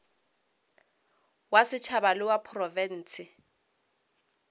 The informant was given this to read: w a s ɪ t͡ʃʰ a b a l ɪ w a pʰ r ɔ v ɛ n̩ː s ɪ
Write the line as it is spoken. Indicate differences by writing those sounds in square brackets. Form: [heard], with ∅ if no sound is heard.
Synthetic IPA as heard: w a s ɪ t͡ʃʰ a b a l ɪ w a pʰ r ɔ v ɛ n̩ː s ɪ